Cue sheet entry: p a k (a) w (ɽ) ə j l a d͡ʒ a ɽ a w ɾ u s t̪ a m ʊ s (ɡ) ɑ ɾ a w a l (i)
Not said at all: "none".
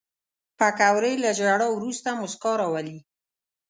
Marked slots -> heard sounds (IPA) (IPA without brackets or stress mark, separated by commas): a, ɾ, k, i